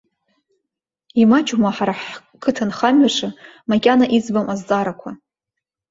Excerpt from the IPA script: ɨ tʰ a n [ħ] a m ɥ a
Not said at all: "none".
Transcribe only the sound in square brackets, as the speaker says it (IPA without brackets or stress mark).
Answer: χ